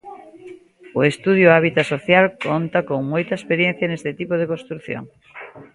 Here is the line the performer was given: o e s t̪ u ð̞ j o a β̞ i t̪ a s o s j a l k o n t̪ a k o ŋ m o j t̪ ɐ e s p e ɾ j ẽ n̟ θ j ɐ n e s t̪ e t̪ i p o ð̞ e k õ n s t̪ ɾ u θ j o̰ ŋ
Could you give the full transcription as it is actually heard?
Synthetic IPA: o e s t̪ u ð̞ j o a β̞ i t̪ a s o θ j a l k o n t̪ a k o ŋ m o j t̪ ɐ e s p e ɾ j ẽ n̟ θ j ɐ n e s t̪ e t̪ i p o ð̞ e k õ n s t̪ ɾ u θ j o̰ ŋ